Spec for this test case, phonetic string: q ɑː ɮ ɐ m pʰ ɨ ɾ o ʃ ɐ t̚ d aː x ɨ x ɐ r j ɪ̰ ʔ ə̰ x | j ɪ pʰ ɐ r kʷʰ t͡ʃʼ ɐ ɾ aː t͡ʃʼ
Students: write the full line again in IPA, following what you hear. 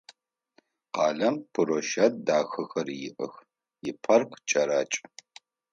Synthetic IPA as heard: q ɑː ɮ ɐ m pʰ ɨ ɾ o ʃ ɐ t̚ d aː x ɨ x ɐ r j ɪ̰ ʔ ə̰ x | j ɪ pʰ ɐ r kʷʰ t͡ʃʼ ɐ ɾ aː t͡ʃʼ